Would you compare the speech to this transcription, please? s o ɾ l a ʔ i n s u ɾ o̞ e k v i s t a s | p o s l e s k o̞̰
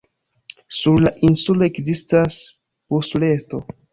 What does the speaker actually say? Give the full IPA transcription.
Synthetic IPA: s u ɾ l a ʔ i n s u l o̞ e k z i s t a s | p o s l e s t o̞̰